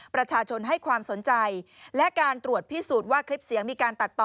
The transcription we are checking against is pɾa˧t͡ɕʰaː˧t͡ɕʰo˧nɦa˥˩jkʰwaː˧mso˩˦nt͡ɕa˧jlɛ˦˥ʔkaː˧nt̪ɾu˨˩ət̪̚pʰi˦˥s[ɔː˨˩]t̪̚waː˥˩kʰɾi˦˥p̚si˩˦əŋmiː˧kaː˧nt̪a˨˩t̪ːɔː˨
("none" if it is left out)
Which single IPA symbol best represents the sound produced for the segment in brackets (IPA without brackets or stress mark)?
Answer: uː˨˩